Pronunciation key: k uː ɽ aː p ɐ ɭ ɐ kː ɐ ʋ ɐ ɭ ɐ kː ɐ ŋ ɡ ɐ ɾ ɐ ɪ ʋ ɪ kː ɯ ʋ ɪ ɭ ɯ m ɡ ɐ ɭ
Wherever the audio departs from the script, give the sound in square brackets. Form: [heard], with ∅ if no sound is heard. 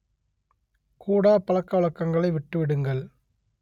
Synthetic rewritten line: k uː ɽ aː p ɐ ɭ ɐ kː ɐ ʋ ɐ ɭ ɐ kː ɐ ŋ ɡ ɐ [ɭ] ɐ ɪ ʋ ɪ [ʈː] ɯ ʋ ɪ [ɽ] ɯ [ŋ] ɡ ɐ ɭ